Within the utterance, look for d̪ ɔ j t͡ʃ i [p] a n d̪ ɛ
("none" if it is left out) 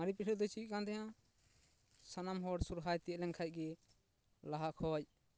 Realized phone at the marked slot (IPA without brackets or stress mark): k